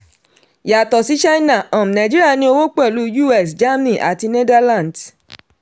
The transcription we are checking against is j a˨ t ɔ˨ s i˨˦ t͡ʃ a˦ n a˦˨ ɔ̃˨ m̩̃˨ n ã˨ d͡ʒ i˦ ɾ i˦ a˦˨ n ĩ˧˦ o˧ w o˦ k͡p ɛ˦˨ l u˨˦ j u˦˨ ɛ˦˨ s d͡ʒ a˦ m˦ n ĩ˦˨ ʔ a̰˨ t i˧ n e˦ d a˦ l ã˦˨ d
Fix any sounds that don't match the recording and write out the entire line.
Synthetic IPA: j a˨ t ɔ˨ s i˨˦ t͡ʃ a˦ n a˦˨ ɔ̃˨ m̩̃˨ n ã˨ d͡ʒ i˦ ɾ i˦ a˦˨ n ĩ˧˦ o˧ w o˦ k͡p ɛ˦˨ l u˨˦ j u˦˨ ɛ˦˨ s d͡ʒ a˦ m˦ n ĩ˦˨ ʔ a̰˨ t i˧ n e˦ d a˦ l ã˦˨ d